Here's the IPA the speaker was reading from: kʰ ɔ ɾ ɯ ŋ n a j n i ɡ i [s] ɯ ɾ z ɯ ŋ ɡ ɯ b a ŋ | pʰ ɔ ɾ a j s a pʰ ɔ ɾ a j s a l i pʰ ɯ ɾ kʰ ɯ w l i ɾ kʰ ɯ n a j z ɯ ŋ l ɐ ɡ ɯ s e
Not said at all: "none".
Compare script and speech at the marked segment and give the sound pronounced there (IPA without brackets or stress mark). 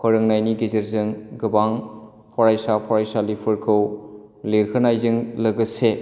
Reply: z